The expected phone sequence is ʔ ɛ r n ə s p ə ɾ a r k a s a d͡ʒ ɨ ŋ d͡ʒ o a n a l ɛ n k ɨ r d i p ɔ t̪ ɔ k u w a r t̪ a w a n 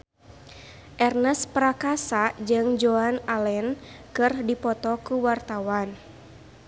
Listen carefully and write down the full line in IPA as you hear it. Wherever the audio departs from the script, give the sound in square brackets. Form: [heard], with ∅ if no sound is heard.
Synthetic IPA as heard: ʔ ɛ r n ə s p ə ɾ a [∅] k a s a d͡ʒ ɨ ŋ d͡ʒ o a n a l ɛ n k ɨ r d i p ɔ t̪ ɔ k u w a r t̪ a w a n